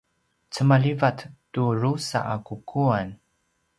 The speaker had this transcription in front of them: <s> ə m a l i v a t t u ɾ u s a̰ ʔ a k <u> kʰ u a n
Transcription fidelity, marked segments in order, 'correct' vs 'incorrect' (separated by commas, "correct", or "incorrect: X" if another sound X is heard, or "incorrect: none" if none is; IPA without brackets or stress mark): incorrect: t͡s, correct